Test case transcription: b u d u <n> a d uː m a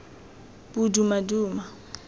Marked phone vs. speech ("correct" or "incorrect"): incorrect